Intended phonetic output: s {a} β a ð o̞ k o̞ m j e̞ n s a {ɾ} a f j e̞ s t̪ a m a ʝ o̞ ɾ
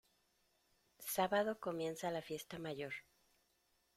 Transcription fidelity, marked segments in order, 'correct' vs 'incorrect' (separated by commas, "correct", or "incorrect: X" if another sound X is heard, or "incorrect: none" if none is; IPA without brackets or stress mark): correct, incorrect: l